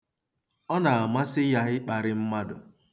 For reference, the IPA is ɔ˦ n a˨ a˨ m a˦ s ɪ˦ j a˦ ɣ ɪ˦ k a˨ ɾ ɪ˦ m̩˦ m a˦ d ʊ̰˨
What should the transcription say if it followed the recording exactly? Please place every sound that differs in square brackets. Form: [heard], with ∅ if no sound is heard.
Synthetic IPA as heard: ɔ˦ n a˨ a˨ m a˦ s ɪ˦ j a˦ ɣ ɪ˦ [k͡p] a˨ ɾ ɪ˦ m̩˦ m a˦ d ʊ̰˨